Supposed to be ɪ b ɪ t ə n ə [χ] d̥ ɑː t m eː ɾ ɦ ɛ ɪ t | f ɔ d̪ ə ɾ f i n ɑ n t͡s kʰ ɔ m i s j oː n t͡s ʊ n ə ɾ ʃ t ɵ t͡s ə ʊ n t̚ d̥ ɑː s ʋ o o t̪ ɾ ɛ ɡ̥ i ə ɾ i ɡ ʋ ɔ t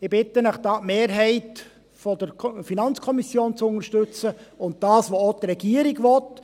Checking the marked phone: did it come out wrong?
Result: no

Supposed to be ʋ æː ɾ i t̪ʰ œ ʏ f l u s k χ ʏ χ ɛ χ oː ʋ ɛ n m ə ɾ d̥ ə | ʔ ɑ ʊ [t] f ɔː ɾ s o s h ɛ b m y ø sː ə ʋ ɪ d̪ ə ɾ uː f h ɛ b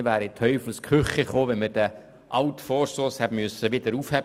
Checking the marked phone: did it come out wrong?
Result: no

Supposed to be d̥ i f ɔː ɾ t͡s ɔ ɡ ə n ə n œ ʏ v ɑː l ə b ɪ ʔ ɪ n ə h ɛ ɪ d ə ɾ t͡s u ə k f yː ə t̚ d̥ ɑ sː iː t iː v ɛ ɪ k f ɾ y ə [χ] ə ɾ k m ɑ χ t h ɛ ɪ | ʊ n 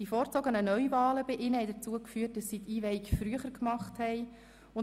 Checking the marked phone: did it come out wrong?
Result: no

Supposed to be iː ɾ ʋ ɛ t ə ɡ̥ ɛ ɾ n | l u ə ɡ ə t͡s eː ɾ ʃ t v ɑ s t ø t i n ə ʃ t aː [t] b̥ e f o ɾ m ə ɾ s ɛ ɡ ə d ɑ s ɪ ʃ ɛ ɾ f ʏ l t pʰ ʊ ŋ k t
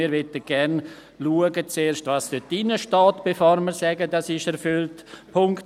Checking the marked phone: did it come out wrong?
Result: no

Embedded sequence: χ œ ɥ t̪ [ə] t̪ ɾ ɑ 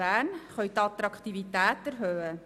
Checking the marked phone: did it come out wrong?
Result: yes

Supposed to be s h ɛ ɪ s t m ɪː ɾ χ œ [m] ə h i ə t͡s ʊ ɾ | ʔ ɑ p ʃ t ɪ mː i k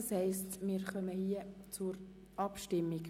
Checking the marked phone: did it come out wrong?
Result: no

